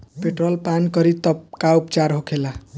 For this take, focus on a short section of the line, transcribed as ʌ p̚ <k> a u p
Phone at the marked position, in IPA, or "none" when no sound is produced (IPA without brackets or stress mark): k